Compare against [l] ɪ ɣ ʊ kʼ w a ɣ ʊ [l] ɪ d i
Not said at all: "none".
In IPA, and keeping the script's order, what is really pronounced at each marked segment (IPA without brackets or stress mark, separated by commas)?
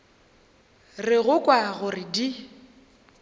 r, r